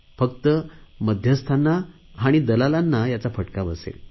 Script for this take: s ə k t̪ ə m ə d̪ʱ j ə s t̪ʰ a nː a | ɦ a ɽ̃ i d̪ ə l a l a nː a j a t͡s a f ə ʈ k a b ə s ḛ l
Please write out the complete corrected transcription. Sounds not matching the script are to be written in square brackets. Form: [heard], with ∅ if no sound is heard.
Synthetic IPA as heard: [f] ə k t̪ ə m ə d̪ʱ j ə s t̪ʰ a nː a | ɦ a ɽ̃ i d̪ ə l a l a nː a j a t͡s a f ə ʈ k a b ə s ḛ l